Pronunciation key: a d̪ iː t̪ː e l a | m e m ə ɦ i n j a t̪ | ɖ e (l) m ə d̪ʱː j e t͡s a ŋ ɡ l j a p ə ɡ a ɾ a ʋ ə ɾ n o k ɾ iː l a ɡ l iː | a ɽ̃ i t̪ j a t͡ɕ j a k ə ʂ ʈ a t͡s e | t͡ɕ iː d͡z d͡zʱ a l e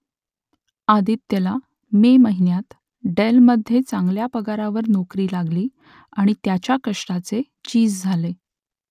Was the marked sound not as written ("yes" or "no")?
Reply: no